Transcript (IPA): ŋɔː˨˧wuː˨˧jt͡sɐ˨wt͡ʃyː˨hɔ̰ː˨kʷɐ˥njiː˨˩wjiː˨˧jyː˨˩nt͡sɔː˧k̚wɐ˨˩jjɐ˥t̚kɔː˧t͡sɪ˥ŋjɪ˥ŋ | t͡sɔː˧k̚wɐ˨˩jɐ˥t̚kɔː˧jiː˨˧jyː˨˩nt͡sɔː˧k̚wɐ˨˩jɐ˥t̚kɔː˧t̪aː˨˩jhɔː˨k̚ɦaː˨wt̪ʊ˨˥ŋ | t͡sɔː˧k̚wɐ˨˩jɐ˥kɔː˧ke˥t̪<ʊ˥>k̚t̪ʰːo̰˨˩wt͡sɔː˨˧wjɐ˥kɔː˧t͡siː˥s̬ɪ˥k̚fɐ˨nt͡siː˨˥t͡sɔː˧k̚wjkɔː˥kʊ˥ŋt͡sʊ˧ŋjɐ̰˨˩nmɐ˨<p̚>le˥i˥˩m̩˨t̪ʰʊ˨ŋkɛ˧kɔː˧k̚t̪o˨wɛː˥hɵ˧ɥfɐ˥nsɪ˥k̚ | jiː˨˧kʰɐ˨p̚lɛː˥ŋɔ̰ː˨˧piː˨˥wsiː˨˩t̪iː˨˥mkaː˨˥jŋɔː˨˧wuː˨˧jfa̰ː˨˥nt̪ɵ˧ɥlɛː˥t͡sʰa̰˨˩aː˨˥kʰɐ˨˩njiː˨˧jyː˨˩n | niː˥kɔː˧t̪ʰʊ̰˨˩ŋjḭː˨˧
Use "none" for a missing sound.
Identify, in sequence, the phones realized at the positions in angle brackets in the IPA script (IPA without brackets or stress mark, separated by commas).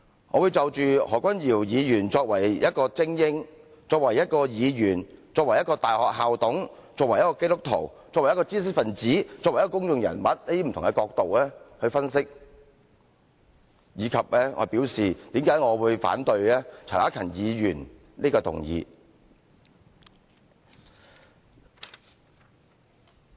ʊ˥, t̚